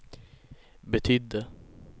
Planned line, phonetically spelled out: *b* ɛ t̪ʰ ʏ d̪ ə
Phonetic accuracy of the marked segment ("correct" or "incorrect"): correct